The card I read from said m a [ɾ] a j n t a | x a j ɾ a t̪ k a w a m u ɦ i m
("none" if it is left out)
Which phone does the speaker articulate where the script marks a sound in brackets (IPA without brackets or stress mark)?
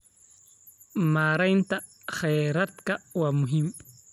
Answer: ɾ